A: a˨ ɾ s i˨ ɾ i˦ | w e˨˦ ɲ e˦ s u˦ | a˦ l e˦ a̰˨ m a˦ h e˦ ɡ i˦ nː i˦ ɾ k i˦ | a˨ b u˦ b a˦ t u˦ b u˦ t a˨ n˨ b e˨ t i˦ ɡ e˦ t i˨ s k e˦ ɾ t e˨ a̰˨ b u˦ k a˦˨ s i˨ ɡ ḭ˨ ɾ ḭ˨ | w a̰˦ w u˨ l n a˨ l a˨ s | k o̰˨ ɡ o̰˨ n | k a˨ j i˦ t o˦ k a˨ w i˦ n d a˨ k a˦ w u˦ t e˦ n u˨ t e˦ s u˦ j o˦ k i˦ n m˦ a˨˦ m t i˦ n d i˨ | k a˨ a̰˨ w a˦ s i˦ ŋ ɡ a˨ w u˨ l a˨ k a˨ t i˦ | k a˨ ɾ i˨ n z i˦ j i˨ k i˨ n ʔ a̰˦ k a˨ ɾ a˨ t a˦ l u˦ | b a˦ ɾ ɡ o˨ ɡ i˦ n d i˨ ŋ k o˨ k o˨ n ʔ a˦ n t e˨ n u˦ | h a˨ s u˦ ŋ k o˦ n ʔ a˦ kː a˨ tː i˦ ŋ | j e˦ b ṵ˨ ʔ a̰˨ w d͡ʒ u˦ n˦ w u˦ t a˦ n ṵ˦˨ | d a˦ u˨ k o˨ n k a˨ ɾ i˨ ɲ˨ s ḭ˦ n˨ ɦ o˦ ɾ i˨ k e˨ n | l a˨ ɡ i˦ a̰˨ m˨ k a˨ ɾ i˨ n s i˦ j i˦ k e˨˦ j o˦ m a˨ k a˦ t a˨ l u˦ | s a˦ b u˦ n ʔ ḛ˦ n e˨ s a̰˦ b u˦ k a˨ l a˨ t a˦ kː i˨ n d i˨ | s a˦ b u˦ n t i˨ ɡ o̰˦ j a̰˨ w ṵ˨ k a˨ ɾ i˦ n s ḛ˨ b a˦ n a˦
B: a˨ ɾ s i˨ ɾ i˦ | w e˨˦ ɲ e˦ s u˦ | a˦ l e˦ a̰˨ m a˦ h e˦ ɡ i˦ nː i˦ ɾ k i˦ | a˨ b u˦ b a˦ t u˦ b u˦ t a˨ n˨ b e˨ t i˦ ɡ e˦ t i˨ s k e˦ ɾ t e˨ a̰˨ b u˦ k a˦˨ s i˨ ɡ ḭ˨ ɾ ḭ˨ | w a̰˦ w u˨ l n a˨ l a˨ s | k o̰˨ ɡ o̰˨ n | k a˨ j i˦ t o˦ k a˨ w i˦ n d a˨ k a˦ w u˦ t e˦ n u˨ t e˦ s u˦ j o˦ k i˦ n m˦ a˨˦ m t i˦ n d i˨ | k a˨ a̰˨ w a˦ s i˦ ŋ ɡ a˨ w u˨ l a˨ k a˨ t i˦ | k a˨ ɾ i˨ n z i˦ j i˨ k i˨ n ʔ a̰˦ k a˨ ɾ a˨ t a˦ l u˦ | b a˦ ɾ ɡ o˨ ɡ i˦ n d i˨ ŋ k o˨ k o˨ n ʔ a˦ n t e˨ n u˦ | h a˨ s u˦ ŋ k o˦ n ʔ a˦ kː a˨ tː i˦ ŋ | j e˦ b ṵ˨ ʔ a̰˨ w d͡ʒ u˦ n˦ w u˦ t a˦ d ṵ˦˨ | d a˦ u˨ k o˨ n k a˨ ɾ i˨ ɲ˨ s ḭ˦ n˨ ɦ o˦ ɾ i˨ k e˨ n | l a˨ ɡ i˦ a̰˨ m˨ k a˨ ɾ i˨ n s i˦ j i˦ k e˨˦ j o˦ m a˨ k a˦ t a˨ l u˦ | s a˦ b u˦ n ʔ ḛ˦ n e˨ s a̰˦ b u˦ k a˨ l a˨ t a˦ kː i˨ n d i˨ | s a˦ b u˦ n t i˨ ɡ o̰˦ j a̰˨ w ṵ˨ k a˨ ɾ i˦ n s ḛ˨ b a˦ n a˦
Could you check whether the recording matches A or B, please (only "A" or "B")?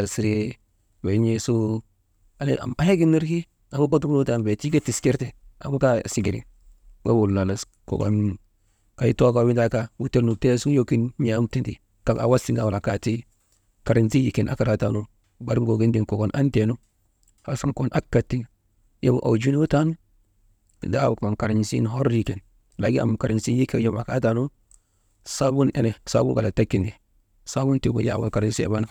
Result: A